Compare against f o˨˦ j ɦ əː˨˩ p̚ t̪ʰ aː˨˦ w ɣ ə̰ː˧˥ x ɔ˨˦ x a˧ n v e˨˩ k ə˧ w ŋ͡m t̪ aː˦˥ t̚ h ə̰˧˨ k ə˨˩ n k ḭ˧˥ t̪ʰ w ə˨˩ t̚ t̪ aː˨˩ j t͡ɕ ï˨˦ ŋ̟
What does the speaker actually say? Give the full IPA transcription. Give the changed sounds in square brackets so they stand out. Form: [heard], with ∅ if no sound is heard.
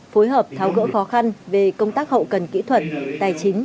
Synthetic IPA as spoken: f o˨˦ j ɦ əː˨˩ p̚ t̪ʰ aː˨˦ w ɣ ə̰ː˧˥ x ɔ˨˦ x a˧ n v e˨˩ k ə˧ w ŋ͡m t̪ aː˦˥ [k̚] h ə̰˧˨ k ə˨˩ n k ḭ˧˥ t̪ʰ w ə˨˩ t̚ t̪ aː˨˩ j t͡ɕ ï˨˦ ŋ̟